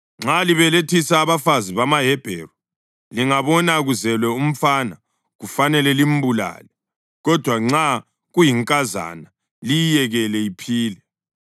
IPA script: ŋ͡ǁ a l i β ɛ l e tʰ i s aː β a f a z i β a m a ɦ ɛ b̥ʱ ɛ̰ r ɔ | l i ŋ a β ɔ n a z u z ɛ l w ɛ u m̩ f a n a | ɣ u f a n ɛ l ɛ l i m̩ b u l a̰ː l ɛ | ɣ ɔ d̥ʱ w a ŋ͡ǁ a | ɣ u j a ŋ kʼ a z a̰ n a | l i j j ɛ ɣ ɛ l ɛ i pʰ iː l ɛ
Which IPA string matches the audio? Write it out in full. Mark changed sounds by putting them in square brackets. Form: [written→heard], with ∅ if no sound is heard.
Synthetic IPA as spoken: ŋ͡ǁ a l i β ɛ l e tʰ i s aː β a f a z i β a m a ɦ ɛ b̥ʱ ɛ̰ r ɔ | l i ŋ a β ɔ n a [z→ɣ] u z ɛ l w ɛ u m̩ f a n a | ɣ u f a n ɛ l ɛ l i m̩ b u l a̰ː l ɛ | ɣ ɔ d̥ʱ w a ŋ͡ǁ a | ɣ u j [a→i] ŋ kʼ a z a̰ n a | l i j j ɛ ɣ ɛ l ɛ i pʰ iː l ɛ